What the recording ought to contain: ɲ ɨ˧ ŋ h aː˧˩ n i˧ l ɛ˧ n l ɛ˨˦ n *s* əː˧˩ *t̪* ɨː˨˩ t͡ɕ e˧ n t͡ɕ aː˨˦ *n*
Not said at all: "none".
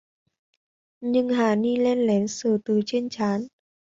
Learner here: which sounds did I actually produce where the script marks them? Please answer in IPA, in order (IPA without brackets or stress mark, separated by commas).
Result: s, t̪, n